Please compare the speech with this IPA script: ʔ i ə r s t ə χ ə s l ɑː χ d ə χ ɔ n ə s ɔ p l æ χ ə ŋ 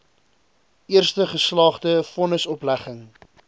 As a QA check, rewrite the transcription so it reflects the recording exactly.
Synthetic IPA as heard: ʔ i ə r s t ə χ ə s l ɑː χ d ə f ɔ n ə s ɔ p l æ χ ə ŋ

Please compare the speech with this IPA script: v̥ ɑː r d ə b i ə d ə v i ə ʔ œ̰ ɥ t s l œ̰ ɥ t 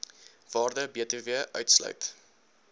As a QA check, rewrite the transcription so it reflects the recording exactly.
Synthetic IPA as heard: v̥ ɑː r d ə b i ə t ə v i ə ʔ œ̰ ɥ t s l œ̰ ɥ t

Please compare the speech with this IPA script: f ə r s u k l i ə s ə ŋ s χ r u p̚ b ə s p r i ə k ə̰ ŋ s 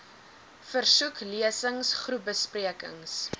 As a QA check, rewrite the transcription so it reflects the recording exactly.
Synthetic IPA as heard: f ə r s u k l i ə s ə ŋ s χ r u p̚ b ə s p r i ə k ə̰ ŋ s

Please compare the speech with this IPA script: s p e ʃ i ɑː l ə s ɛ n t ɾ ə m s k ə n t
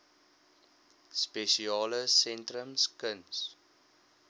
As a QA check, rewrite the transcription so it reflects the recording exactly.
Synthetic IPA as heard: s p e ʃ i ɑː l ə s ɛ n t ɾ ə m s k ə n s

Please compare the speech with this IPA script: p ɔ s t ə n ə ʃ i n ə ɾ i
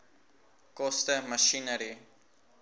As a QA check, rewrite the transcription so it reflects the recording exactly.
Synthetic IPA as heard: k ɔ s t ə m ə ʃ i n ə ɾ i

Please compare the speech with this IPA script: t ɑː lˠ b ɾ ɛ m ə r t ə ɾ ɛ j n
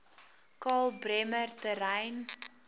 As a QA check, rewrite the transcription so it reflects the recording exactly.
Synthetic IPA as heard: k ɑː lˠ b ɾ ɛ m ə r t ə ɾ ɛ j n

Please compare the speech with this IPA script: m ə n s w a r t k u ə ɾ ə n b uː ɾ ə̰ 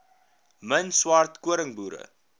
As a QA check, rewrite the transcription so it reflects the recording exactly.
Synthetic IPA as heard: m ə n s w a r t k u ə ɾ ə ŋ b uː ɾ ə̰

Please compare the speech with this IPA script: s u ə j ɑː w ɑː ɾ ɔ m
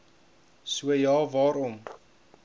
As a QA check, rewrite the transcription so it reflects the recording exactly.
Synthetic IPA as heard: s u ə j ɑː v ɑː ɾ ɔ m

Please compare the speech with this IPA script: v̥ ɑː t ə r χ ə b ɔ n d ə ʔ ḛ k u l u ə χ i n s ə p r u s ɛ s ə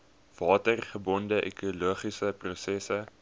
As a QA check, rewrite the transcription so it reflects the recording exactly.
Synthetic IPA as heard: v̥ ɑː t ə r χ ə b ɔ n d ə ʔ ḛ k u l u ə χ i s ə p r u s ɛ s ə

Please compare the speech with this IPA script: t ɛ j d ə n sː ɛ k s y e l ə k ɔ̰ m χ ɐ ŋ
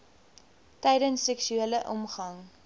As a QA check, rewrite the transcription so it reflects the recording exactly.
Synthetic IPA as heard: t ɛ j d ə n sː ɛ k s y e l ə ʔ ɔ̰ m χ ɐ ŋ

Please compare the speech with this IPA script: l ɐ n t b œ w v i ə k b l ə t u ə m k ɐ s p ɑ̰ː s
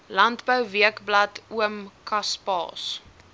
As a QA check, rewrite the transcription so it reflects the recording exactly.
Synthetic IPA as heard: l ɐ n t b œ w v i ə k b l ɐ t u ə m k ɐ s p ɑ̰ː s

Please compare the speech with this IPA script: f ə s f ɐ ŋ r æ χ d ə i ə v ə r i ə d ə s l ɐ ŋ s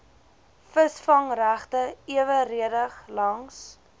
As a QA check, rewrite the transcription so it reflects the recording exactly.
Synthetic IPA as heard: f ə s f ɐ ŋ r æ χ t ə i ə v ə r i ə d ə χ l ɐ ŋ s

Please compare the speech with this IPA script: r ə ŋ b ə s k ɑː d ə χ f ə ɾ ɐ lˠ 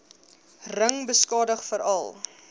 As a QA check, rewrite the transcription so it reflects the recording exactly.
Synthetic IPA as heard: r ə ŋ b ə s k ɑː d ə χ f ə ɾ ɐ lˠ

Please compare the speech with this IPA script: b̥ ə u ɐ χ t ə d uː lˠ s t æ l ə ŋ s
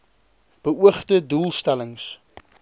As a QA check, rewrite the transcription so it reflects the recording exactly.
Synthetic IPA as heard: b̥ ə u ə χ t ə d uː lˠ s t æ l ə ŋ s

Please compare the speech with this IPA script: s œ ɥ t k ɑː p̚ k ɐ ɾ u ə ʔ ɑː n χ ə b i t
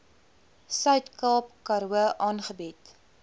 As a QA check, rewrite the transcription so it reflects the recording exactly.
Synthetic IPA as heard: s œ ɥ t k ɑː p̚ k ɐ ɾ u ə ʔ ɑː n χ ə b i t

